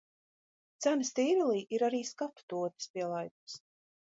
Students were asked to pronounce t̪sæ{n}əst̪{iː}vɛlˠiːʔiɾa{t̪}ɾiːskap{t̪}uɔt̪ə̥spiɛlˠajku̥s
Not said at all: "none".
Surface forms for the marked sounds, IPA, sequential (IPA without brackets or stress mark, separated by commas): n, iː, none, t̪